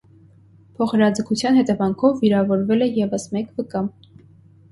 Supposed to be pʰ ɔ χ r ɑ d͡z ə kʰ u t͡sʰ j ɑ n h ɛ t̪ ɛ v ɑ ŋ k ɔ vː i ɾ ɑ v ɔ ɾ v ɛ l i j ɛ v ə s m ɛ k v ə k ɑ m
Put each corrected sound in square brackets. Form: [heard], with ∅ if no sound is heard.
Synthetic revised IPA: pʰ ɔ χ [ɾ] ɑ d͡z ə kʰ u t͡sʰ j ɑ n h ɛ t̪ ɛ v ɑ ŋ [kʰ] ɔ vː i ɾ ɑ v ɔ ɾ v ɛ l [ɛ] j ɛ v ə s m ɛ k v ə k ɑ m